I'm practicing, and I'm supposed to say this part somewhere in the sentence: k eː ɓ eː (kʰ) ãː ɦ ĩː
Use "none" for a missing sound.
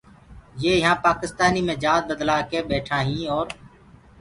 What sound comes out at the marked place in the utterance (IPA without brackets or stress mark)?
ʈʰ